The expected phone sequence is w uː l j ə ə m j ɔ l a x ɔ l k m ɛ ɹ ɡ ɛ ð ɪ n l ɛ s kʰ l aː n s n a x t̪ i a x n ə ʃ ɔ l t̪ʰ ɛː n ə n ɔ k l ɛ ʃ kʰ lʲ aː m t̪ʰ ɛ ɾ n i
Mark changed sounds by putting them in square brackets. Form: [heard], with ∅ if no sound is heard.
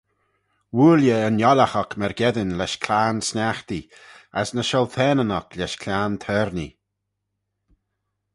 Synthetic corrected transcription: w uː l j ə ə [n] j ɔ l a x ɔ [∅] k m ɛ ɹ ɡ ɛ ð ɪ n l ɛ [ʃ] kʰ l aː n s n a x t̪ i a [s] n ə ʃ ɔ l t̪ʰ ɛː n ə n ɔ k l ɛ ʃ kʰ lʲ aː [n] t̪ʰ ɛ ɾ n i

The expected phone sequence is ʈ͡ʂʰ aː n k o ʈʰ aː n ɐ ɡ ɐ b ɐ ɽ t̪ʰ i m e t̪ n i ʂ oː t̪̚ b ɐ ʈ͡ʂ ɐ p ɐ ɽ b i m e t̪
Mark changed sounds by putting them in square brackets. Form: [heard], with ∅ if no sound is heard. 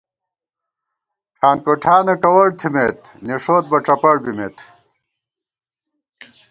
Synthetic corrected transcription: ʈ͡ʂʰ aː n k o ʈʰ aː n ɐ [k] ɐ [w] ɐ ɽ t̪ʰ i m e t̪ n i ʂ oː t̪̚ b ɐ ʈ͡ʂ ɐ p ɐ ɽ b i m e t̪

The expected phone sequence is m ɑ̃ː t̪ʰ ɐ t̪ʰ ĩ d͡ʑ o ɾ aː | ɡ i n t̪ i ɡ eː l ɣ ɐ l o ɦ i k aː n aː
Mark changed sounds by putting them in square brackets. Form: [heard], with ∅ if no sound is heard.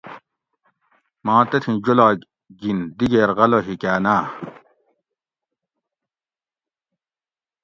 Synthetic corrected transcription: m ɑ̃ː [t̪] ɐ t̪ʰ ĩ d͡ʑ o [l] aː | ɡ i n [d̪] i ɡ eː [ɾ] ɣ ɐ l o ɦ i k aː n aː

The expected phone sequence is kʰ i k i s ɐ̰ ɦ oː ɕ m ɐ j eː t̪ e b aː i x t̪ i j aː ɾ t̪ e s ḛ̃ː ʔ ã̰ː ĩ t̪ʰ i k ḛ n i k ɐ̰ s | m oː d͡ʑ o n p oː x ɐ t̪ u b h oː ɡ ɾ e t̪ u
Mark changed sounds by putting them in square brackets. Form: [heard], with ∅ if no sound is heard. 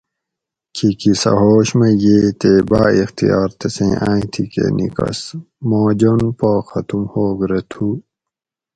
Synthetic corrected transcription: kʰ i k i s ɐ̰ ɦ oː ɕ m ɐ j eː t̪ e b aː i x t̪ i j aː ɾ t̪ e s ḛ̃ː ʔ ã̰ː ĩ t̪ʰ i k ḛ n i k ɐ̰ s | m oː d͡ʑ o n p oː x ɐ t̪ u [m] h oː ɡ ɾ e [t̪ʰ] u

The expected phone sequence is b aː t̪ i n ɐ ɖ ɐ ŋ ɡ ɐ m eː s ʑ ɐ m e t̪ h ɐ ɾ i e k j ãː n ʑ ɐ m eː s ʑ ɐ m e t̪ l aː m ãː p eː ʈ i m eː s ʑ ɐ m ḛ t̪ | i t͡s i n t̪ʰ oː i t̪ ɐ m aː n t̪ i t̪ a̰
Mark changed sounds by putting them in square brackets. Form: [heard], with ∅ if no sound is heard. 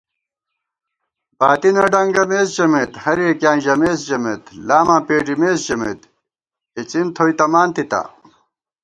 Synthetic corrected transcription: b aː t̪ i n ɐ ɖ ɐ ŋ ɡ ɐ m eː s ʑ ɐ m e t̪ h ɐ ɾ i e k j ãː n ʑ ɐ m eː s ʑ ɐ m e t̪ l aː m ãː p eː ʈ i m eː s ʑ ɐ m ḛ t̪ | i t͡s i n t̪ʰ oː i t̪ ɐ m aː n t̪ i t̪ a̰

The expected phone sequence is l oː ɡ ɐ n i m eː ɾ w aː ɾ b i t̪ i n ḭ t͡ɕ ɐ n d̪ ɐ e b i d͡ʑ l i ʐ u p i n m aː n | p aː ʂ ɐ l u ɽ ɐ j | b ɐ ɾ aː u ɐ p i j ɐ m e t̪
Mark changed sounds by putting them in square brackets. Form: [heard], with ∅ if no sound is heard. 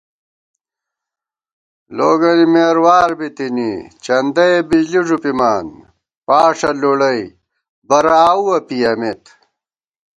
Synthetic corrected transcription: l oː ɡ ɐ n i m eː ɾ w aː ɾ b i t̪ i n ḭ t͡ɕ ɐ n d̪ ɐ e b i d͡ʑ l i ʐ u p i [∅] m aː n | p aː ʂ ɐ l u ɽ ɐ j | b ɐ ɾ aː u ɐ p i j ɐ m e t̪

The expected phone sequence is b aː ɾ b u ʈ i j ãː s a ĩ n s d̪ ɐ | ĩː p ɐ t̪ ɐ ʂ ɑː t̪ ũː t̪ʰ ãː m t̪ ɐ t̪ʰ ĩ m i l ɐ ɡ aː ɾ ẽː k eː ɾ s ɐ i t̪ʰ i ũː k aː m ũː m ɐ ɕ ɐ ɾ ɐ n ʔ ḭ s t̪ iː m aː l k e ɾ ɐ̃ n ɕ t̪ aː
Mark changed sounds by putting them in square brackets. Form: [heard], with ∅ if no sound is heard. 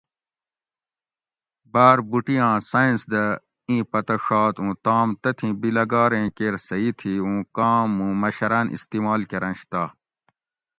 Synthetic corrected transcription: b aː ɾ b u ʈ i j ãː s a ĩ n s d̪ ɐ | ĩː p ɐ t̪ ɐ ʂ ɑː t̪ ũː [t̪] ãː m t̪ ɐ t̪ʰ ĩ [b] i l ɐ ɡ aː ɾ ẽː k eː ɾ s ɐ i t̪ʰ i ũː k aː m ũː m ɐ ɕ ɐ ɾ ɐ n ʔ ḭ s t̪ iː m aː l k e ɾ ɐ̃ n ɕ t̪ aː

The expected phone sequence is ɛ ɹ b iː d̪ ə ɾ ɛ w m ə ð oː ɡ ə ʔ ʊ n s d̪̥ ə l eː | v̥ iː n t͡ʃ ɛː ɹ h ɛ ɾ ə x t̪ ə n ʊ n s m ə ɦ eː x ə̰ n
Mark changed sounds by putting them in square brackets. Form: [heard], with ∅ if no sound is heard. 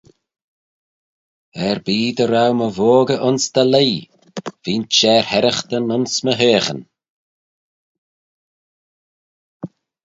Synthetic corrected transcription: ɛ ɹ b iː d̪ ə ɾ [a] w m ə [v] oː ɡ ə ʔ ʊ n s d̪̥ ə l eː | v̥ iː n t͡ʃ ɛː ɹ h ɛ ɾ ə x t̪ ə n ʊ n s m ə ɦ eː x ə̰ n

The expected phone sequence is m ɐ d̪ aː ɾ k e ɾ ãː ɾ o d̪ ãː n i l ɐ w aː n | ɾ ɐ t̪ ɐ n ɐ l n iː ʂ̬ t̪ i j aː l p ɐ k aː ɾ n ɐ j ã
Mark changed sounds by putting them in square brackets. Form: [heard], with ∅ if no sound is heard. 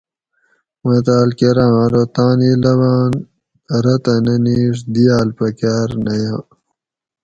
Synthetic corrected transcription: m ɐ [t̪] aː [l] k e ɾ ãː ɾ o [t̪] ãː n i l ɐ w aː n | ɾ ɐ t̪ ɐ n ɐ [∅] n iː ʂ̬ [d̪] i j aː l p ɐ k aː ɾ n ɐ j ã

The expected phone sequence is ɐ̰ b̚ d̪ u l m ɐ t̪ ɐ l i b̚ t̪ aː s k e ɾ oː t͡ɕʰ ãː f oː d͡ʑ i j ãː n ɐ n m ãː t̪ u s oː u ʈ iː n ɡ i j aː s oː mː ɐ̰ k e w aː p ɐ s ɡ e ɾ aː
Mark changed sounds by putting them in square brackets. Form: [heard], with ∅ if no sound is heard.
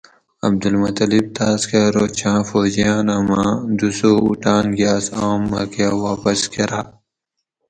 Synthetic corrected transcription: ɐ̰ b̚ d̪ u l m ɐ t̪ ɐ l i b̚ t̪ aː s k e ɾ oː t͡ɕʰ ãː f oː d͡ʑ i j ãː n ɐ [∅] m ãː [d̪] u s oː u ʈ [aː] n ɡ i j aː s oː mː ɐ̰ k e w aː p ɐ s [k] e ɾ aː

